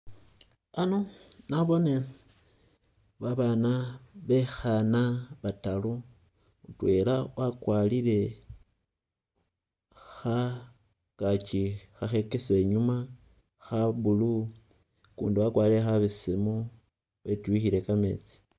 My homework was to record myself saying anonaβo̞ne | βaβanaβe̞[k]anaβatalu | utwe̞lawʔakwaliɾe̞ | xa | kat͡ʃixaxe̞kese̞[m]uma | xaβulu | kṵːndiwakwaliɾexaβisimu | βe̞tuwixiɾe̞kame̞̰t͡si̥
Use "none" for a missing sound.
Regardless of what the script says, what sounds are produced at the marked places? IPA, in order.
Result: x, ɲ

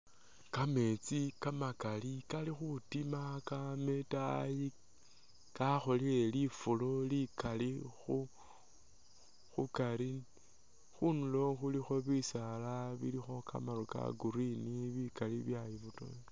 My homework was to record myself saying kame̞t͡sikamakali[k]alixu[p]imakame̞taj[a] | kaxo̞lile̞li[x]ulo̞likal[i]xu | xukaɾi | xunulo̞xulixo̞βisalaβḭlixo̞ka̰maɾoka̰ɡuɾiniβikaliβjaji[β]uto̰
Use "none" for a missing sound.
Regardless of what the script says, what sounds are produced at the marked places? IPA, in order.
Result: k, t, i, f, i, β

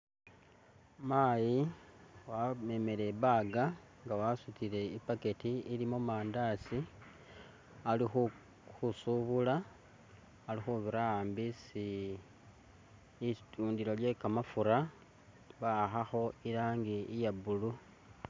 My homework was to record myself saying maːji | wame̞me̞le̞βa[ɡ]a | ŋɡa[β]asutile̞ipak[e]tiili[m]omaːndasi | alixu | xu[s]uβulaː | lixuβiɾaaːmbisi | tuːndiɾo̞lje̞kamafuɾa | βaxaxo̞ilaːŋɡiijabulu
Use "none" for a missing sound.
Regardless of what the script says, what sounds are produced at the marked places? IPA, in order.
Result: ɡ, w, e, m, s

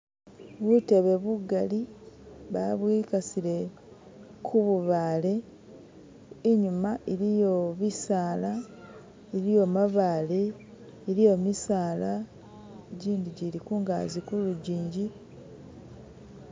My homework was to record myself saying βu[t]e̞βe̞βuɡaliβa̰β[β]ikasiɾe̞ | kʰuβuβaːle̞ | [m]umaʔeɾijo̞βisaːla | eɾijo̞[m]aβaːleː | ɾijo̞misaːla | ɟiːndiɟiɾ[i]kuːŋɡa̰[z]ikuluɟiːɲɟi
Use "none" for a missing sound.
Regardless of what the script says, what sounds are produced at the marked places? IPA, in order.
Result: t, w, ɲ, m, i, z

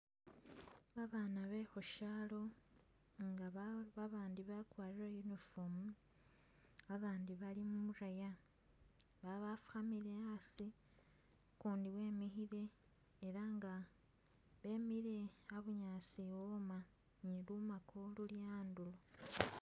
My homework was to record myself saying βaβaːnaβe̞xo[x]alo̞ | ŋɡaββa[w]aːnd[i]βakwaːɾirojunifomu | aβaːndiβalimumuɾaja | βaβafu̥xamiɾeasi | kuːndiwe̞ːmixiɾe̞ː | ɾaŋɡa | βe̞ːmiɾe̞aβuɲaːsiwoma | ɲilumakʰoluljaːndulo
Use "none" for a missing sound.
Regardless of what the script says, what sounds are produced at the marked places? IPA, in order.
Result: ʃ, β, i

